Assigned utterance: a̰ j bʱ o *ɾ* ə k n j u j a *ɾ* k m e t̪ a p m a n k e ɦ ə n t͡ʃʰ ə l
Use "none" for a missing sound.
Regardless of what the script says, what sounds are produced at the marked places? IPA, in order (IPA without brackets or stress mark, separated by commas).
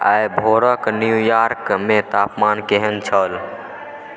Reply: ɾ, ɾ